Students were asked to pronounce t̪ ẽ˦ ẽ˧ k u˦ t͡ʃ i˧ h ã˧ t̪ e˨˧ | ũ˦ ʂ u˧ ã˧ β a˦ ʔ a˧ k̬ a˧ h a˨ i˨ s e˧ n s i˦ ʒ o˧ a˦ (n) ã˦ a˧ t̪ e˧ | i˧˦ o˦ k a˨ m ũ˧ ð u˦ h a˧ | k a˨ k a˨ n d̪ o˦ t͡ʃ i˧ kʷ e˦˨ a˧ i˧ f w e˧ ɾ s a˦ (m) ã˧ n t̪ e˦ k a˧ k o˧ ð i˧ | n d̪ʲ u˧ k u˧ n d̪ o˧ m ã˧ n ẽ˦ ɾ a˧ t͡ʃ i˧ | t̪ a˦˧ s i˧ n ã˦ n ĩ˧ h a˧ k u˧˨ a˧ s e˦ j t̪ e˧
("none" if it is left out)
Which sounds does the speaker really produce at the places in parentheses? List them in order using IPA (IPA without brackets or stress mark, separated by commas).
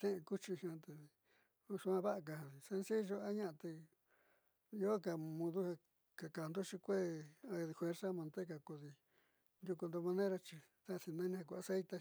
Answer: ɲ, m